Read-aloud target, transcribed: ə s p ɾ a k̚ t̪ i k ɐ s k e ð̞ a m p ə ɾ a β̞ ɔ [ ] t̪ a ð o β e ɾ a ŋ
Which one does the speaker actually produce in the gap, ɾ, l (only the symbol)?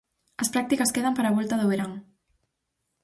l